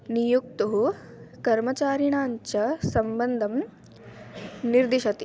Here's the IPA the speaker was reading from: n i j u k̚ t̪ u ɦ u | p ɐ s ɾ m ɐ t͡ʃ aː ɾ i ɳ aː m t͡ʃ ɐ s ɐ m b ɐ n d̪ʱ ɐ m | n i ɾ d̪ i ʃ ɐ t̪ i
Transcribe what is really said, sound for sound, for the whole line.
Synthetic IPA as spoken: n i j u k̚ t̪ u ɦ u | k ɐ ɾ m ɐ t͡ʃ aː ɾ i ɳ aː ɲ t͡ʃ ɐ s ɐ m b ɐ n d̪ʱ ɐ m | n i ɾ d̪ i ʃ ɐ t̪ i